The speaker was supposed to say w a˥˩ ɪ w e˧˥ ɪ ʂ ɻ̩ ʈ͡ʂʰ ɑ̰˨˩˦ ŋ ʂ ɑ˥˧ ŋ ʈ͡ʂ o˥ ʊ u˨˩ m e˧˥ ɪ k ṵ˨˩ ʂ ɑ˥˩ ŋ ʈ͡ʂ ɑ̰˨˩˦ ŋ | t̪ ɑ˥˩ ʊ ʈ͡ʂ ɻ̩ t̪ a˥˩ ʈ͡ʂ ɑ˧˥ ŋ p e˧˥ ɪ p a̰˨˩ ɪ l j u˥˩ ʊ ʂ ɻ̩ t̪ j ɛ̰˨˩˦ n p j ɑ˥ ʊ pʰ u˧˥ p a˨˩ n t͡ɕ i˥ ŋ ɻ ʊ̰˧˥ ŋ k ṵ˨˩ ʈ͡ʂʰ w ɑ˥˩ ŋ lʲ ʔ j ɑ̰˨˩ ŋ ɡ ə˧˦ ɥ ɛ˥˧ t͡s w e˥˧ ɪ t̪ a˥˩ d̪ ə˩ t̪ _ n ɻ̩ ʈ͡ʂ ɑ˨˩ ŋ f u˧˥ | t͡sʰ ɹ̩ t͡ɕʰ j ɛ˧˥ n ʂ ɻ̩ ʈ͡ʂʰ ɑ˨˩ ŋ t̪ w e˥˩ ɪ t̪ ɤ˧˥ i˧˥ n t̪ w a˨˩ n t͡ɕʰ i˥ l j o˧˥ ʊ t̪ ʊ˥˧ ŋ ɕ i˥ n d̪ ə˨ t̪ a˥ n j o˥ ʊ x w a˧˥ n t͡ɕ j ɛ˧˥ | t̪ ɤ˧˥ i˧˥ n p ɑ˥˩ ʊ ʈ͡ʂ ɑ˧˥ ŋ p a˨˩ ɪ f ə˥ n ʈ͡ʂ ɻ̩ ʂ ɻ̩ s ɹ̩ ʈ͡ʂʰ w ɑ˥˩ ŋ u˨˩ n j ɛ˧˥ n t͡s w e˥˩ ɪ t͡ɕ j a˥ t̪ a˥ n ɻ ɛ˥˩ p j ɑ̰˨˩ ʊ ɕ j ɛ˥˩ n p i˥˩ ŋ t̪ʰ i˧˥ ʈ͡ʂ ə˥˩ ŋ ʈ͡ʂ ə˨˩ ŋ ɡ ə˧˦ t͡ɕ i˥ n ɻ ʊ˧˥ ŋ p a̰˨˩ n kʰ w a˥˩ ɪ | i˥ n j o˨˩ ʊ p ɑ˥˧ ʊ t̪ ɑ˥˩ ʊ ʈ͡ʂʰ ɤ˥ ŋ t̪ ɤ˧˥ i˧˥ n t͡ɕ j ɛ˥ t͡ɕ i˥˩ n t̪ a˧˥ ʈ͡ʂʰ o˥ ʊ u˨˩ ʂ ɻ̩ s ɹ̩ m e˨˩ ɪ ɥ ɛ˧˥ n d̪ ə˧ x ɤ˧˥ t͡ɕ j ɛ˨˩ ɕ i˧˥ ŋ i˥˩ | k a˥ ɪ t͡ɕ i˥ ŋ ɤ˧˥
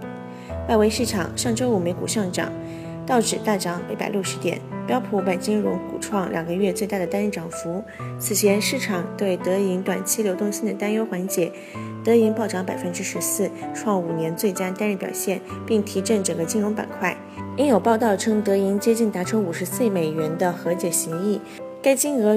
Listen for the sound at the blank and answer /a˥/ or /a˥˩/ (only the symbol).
a˥